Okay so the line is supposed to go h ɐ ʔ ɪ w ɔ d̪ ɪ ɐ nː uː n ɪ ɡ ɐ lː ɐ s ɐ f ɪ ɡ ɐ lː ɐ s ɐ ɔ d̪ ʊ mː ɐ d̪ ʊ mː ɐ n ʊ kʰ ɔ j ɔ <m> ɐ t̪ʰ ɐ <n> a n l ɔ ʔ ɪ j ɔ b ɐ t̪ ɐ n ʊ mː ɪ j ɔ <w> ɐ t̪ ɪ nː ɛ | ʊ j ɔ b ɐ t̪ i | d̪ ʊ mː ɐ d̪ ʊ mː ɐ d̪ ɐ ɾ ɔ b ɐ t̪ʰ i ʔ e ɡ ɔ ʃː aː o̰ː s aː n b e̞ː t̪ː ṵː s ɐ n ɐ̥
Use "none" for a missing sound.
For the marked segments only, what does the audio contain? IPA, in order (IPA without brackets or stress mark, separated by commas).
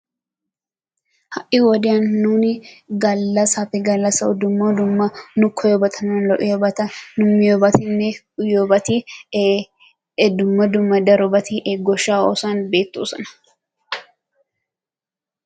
b, n, b